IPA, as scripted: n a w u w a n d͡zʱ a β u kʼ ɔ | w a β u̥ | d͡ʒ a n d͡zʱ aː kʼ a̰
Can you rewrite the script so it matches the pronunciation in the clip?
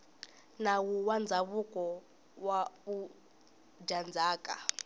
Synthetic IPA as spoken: n a w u w a n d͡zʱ a β u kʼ ɔ | w a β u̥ | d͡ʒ a n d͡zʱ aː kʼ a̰